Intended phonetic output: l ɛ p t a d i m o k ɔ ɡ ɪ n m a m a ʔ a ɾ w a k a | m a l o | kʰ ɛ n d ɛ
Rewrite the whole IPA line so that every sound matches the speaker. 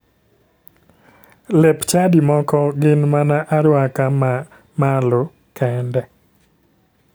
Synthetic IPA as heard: l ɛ p t͡ʃ a d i m ɔ k ɔ ɡ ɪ n m a n a ʔ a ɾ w a k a | m a l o | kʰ ɛ n d ɛ